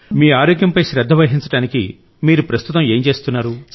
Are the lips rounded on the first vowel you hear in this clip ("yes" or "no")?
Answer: no